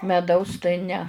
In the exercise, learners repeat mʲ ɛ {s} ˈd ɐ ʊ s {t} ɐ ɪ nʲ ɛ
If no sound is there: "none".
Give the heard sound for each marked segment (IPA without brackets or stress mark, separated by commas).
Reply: none, t